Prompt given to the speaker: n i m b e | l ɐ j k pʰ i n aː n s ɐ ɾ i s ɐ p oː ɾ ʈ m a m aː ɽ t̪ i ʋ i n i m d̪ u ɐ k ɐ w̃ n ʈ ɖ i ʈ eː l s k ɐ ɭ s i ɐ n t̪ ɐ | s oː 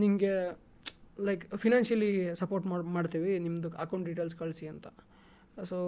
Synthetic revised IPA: n i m ɡ e | l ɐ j k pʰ i n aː n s ɐ l i s ɐ p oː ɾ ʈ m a m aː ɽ t̪ i ʋ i n i m d̪ u ɐ k ɐ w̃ ɳ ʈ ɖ i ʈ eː l s k ɐ ɭ s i ɐ n t̪ ɐ | s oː